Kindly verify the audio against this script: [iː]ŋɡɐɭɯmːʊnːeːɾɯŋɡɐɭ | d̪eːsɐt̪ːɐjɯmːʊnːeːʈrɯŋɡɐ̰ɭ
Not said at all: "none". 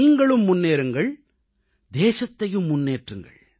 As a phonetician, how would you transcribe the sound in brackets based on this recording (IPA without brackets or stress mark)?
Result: iː